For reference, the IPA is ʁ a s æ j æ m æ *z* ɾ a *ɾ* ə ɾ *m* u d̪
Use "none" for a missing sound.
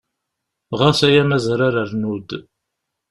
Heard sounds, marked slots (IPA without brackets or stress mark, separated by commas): z, ɾ, n